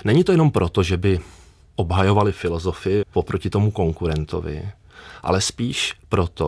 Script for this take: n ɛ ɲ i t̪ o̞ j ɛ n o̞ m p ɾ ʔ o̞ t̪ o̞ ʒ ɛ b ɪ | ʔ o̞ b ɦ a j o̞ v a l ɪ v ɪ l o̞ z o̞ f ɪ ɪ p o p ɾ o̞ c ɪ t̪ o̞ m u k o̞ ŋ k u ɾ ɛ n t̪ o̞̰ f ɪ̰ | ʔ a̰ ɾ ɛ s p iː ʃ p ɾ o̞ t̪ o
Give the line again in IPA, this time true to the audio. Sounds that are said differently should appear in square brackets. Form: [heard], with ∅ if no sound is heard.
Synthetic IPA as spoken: n ɛ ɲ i t̪ o̞ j ɛ n o̞ m p ɾ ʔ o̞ t̪ o̞ ʒ ɛ b ɪ | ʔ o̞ b ɦ a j o̞ v a l ɪ [f] ɪ l o̞ z o̞ f ɪ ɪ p o p ɾ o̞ c ɪ t̪ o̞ m u k o̞ ŋ k u ɾ ɛ n t̪ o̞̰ [v] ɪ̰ | ʔ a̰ [l] ɛ s p iː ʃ p ɾ o̞ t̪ o